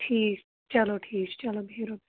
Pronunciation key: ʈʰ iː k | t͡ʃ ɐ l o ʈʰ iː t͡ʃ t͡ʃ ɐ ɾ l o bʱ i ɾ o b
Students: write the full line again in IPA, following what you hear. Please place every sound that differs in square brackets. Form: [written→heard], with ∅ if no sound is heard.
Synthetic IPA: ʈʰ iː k | t͡ʃ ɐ l o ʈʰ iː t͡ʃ t͡ʃ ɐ [ɾ→∅] l o bʱ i ɾ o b